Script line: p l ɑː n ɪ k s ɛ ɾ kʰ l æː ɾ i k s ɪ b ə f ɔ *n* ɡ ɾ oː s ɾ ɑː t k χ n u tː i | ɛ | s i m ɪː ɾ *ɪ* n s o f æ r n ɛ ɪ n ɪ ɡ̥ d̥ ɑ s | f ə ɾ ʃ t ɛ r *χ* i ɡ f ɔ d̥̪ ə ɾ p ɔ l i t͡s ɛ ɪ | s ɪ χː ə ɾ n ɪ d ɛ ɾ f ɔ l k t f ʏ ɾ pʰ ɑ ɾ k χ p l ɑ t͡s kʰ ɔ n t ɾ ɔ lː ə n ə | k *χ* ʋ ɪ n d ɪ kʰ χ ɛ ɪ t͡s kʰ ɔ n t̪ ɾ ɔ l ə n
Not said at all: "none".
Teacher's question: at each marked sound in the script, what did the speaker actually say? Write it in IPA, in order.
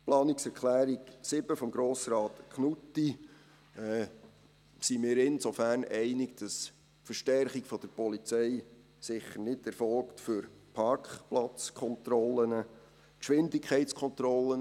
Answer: m, ɪ, χ, ʃ

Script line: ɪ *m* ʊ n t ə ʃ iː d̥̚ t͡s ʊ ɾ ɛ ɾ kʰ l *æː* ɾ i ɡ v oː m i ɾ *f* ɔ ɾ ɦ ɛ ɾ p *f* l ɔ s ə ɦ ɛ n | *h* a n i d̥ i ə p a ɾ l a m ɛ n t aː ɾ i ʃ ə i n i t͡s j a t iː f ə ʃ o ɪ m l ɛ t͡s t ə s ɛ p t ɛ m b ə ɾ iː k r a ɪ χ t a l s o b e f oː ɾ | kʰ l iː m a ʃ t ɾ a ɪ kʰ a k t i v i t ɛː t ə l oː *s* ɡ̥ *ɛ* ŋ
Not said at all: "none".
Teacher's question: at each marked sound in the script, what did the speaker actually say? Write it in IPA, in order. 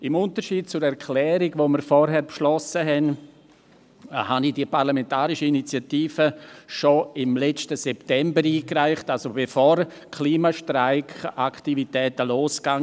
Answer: m, ɛː, f, ʃ, h, s, a

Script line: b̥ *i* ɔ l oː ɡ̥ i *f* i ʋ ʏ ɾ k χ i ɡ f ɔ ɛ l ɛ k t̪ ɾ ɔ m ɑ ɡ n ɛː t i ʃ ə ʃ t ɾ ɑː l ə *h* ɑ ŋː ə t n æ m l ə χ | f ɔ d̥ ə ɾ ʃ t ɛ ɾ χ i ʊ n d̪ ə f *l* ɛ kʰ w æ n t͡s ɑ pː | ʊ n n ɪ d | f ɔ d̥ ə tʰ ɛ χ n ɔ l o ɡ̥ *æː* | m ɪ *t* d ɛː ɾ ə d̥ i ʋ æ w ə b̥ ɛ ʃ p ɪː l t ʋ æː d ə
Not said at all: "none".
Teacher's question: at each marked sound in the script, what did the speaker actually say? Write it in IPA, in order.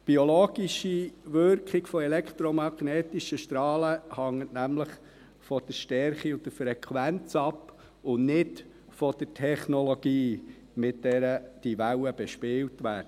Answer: i, ʃ, h, ɾ, iː, t

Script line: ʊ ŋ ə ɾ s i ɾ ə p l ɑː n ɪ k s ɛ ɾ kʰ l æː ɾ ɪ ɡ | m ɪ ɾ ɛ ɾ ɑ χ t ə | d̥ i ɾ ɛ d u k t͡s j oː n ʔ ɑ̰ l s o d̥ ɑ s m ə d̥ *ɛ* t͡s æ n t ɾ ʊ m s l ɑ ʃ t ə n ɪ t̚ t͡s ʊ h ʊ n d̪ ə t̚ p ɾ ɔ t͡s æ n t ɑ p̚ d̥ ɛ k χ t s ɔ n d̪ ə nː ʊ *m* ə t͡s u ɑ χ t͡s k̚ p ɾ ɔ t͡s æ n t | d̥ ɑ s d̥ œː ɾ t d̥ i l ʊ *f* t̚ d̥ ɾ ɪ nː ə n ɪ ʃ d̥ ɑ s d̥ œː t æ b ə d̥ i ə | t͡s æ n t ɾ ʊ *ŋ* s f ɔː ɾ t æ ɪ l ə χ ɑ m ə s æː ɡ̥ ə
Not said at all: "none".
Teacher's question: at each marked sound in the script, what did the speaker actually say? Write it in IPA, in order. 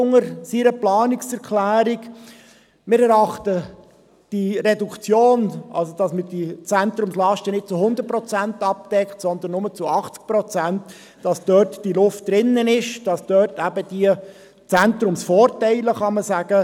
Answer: i, m, f, m

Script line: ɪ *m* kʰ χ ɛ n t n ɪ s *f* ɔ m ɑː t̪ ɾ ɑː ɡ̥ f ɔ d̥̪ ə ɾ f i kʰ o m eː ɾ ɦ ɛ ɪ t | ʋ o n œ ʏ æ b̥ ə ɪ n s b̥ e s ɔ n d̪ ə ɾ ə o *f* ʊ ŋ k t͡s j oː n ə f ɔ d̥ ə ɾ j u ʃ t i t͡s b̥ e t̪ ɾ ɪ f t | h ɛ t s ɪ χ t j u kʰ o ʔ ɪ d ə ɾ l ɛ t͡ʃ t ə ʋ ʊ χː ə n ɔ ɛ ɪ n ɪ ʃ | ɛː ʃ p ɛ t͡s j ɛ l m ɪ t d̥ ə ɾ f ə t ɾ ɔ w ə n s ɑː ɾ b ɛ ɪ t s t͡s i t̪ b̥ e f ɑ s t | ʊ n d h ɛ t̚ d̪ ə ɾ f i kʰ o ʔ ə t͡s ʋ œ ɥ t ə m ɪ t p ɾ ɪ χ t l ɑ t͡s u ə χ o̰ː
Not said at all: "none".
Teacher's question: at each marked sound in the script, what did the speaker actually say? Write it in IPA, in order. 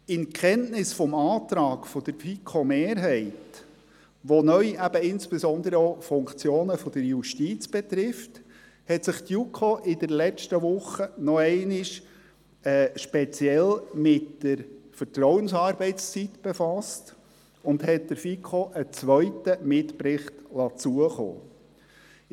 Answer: n, f, f

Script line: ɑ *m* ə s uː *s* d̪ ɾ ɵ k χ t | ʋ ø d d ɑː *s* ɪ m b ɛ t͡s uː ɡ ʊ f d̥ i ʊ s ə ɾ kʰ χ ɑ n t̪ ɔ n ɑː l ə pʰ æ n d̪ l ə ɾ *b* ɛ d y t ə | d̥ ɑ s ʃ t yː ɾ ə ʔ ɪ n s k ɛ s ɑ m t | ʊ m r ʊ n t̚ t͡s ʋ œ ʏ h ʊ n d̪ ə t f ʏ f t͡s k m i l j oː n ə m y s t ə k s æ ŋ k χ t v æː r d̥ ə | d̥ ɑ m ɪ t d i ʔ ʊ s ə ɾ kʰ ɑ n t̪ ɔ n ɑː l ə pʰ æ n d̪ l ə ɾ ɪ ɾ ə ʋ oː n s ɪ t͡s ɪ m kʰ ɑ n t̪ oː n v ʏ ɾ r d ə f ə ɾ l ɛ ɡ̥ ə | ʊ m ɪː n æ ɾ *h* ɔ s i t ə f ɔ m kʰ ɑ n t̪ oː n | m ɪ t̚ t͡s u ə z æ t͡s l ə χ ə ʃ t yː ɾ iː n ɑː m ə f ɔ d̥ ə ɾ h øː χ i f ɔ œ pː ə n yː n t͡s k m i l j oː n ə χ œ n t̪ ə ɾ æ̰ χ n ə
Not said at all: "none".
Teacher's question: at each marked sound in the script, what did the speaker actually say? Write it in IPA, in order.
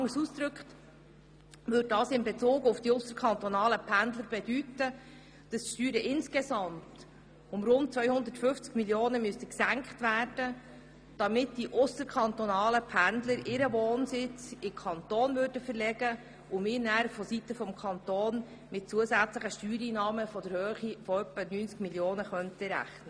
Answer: ŋ, s, s, b, f

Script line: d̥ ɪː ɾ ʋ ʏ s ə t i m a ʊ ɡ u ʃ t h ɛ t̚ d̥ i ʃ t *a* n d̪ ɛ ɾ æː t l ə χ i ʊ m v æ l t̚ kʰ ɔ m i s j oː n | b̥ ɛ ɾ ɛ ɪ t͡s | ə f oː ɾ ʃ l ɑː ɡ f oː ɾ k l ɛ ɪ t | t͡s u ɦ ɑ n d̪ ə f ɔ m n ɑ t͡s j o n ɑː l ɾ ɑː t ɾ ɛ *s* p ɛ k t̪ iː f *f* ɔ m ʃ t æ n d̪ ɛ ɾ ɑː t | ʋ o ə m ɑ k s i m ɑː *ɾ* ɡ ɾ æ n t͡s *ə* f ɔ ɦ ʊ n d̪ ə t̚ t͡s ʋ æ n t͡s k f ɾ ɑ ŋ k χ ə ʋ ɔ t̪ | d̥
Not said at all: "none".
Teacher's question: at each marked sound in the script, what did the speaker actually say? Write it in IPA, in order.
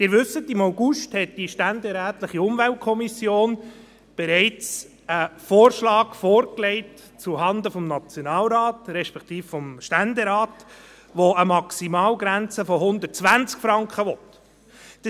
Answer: æ, ʃ, f, l, ə

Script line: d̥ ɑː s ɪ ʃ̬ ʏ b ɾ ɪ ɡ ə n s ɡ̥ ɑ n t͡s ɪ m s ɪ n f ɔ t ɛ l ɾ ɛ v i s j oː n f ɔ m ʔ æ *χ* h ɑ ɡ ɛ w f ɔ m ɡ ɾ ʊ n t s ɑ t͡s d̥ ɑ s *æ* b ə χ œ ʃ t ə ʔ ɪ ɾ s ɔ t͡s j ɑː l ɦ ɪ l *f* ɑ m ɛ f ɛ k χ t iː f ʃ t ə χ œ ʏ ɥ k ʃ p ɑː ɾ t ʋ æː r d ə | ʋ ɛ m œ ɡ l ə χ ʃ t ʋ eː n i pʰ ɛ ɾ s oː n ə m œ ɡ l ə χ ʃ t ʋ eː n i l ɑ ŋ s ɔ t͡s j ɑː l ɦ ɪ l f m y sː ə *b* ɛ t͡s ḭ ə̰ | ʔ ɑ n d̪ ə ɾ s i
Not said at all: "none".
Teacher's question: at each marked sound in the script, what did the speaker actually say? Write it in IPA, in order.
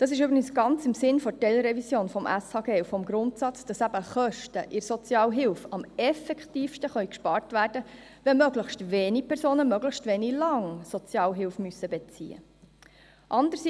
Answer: s, æ, f, b

